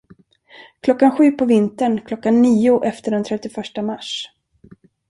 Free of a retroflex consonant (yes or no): no